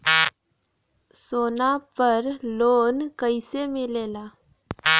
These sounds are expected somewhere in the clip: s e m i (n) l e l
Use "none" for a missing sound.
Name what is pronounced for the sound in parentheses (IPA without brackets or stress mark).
none